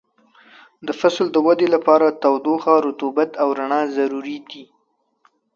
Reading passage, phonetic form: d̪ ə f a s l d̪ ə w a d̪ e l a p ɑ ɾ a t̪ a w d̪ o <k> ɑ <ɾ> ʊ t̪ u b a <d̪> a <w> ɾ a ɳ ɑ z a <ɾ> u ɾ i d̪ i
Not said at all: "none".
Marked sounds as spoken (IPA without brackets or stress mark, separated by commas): x, ɾ, t̪, w, ɾ